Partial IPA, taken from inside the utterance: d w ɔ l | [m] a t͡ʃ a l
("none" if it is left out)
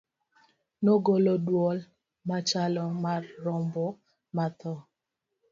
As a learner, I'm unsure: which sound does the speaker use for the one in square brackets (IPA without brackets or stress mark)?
m